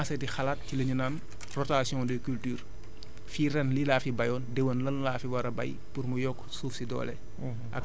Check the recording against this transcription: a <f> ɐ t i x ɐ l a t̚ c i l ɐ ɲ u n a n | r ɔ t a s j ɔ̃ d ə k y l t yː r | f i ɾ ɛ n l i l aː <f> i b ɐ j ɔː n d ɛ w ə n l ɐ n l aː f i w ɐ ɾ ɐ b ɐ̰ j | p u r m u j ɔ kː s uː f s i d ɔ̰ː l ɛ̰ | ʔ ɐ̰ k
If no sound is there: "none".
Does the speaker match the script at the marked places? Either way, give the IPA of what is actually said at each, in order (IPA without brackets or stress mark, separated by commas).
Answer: s, f